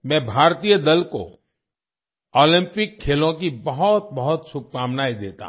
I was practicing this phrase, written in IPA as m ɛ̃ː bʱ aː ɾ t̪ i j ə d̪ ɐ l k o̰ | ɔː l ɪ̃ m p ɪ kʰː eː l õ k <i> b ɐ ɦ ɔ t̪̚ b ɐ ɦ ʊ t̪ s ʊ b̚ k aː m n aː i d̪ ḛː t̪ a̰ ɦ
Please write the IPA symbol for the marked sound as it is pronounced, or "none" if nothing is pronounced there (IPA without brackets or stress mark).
i